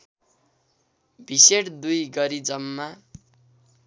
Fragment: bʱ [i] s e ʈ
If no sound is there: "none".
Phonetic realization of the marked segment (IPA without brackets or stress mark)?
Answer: i